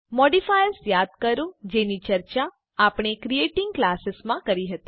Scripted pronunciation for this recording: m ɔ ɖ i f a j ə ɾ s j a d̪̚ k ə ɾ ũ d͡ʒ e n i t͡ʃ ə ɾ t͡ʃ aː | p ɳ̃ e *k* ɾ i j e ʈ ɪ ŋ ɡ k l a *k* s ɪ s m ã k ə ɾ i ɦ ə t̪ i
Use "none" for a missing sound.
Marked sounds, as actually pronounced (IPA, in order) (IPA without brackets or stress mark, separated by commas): k, none